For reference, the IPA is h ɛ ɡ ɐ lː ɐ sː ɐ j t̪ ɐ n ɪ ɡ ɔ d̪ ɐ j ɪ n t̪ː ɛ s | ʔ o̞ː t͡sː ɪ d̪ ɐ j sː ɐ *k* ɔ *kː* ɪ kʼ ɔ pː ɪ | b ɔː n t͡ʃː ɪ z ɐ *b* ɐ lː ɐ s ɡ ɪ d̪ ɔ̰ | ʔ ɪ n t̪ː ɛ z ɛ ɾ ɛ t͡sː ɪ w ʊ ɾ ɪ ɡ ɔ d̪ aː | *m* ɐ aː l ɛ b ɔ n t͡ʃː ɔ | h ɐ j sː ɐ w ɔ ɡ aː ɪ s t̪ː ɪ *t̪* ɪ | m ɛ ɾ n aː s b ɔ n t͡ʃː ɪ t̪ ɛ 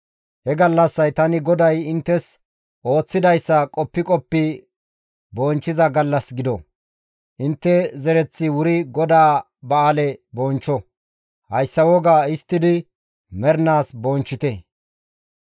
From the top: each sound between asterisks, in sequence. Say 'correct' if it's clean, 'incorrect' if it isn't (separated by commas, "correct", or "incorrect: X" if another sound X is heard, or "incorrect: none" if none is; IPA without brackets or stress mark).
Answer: incorrect: kʼ, incorrect: pː, incorrect: ɡ, incorrect: b, incorrect: d̪